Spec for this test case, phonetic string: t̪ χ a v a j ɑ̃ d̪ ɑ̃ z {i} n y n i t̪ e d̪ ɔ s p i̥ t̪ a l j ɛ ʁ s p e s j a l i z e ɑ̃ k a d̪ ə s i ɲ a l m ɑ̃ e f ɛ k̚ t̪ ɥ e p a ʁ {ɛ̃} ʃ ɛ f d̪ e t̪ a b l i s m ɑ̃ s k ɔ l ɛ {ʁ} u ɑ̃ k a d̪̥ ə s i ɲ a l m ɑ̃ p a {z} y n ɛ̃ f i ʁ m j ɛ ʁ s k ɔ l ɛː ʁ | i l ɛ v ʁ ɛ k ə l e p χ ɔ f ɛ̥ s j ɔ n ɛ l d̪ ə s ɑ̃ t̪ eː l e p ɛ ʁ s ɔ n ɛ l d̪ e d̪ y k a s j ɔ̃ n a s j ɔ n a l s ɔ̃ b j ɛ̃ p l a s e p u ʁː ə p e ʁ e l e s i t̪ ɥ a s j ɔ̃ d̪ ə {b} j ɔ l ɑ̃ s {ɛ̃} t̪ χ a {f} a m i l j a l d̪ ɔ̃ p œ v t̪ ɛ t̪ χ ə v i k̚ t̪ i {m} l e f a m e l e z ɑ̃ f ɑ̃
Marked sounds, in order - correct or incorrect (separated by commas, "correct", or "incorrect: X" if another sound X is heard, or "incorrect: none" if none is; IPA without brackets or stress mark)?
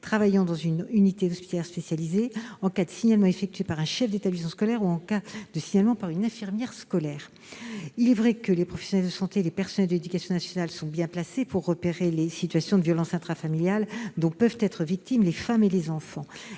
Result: incorrect: y, correct, correct, incorrect: ʁ, incorrect: v, correct, correct, correct